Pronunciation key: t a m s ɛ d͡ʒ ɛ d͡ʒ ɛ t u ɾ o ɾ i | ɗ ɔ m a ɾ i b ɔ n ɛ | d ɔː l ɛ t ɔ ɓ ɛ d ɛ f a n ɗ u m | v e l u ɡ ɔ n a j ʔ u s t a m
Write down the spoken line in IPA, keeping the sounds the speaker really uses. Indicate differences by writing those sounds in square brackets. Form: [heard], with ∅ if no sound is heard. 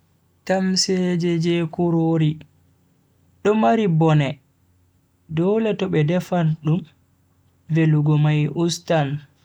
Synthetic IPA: t a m s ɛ d͡ʒ ɛ d͡ʒ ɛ [k] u ɾ o ɾ i | ɗ ɔ m a ɾ i b ɔ n ɛ | d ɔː l ɛ t ɔ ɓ ɛ d ɛ f a n ɗ u m | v e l u ɡ ɔ [m] a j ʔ u s t a [n]